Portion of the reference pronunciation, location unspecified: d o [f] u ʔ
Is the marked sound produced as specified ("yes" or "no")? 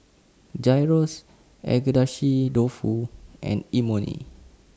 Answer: yes